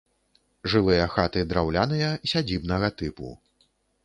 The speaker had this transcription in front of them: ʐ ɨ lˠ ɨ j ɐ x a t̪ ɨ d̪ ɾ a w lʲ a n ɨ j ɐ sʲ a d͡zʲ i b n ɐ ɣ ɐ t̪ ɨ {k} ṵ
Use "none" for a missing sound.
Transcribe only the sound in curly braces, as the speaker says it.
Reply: p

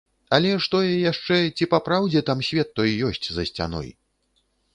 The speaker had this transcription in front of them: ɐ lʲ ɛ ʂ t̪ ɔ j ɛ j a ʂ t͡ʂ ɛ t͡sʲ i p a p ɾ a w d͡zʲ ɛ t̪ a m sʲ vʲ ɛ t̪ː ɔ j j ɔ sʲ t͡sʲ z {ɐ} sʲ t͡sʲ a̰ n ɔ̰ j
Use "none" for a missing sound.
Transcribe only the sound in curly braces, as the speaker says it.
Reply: ɐ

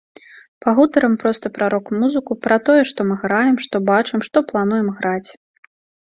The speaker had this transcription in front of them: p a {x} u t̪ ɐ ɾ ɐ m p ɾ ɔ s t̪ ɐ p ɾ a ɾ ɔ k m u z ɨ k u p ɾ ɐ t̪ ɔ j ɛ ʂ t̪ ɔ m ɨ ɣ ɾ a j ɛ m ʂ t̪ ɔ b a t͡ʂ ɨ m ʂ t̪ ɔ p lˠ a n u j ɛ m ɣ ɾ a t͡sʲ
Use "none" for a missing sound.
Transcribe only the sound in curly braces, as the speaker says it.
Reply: ɣ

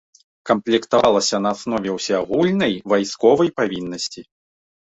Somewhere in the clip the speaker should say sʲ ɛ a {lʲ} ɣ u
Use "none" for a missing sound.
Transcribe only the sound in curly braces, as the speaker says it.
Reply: none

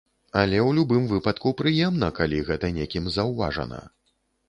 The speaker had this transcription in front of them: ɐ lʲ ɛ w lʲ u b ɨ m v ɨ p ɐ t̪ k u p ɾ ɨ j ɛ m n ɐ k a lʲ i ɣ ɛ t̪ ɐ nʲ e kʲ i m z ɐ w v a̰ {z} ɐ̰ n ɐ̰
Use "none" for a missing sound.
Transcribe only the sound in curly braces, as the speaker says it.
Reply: ʐ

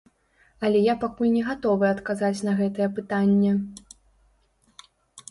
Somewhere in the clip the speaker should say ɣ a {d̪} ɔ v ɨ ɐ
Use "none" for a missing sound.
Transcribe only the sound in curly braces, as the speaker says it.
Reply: t̪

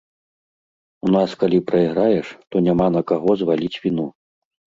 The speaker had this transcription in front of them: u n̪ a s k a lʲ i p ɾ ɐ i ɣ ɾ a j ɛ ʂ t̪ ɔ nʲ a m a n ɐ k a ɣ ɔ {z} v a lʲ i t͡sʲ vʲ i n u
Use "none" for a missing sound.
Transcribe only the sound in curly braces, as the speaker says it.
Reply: z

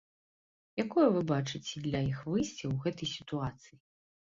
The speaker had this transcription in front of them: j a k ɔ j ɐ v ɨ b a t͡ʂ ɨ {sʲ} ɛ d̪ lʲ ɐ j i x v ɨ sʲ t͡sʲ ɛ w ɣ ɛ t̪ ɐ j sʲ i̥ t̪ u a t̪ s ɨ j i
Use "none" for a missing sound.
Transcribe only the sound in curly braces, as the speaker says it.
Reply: t͡sʲ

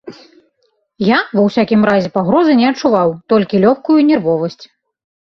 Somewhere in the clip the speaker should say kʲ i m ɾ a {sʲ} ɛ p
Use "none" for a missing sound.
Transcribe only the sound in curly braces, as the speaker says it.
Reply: zʲ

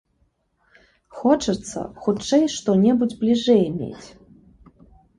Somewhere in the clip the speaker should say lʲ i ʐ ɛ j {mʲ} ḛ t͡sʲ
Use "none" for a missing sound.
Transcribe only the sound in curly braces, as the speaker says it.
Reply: mʲ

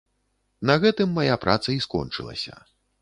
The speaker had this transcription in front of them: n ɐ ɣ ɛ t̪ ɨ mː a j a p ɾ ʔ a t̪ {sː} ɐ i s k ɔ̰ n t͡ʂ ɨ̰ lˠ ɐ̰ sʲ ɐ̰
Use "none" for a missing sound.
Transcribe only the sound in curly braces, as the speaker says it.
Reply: s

